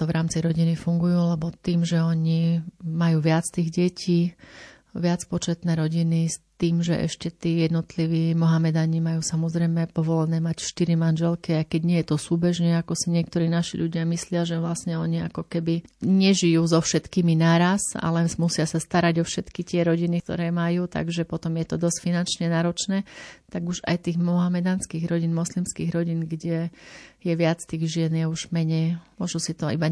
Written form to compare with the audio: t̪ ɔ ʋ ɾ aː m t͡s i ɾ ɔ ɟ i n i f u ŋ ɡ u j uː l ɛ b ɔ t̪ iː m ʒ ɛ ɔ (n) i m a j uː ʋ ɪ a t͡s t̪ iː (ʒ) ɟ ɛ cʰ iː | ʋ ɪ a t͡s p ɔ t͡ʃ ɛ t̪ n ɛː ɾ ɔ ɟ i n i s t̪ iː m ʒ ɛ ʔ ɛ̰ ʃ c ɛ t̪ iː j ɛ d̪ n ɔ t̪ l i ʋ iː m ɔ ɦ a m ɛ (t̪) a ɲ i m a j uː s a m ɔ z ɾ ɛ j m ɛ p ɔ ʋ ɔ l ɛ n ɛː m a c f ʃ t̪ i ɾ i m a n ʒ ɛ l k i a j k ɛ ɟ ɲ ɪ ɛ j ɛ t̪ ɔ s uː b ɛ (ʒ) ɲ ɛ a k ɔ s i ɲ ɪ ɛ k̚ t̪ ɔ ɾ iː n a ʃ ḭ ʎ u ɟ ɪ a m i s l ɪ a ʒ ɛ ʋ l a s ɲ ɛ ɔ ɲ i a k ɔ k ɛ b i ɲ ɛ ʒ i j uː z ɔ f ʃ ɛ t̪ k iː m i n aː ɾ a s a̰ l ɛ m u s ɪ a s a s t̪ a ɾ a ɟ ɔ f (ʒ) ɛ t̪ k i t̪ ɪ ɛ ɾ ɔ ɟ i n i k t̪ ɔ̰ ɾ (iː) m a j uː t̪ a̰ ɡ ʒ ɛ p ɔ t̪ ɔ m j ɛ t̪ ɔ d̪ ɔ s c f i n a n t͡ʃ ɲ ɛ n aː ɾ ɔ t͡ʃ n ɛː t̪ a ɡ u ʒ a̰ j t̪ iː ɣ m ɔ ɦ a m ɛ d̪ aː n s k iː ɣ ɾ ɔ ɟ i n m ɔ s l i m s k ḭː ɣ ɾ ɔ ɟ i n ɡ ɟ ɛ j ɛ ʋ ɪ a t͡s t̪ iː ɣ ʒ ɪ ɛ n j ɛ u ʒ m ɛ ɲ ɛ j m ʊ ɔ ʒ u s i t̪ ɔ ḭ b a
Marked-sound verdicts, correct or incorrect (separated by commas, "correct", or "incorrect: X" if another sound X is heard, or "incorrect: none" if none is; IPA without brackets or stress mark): incorrect: ɲ, incorrect: ɣ, incorrect: d̪, correct, incorrect: ʃ, incorrect: ɛː